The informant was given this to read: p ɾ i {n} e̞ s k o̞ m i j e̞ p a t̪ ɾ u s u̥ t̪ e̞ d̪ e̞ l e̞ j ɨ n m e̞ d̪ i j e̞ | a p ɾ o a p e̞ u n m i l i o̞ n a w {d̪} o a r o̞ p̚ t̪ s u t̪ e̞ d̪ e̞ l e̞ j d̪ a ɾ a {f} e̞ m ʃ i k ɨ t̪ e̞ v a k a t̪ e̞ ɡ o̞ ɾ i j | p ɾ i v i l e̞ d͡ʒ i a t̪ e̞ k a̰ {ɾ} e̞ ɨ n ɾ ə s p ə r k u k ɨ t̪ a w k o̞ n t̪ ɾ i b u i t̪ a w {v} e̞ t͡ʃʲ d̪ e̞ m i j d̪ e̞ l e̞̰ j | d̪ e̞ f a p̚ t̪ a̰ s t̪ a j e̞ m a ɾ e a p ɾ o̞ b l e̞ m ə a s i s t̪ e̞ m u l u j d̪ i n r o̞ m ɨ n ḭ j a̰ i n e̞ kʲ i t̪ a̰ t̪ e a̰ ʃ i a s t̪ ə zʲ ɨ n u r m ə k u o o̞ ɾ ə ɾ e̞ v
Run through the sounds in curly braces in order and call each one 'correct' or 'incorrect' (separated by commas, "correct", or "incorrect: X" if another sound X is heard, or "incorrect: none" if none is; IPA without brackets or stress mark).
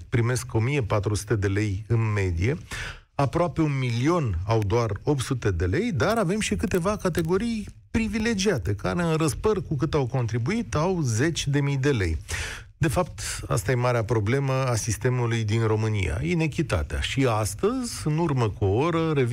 incorrect: m, correct, incorrect: v, correct, incorrect: z